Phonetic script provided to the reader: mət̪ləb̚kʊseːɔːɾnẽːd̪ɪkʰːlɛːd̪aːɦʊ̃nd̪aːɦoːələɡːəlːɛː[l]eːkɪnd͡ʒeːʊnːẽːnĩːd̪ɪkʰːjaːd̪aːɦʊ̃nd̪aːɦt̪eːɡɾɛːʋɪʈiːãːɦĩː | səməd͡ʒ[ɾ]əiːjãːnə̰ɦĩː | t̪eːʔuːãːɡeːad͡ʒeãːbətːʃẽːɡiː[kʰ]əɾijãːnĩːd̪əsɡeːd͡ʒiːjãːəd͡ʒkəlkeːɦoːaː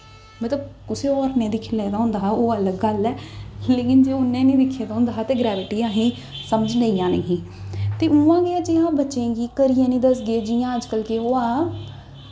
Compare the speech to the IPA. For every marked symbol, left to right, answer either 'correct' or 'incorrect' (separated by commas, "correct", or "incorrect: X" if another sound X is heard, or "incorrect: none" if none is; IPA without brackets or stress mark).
correct, incorrect: l, incorrect: k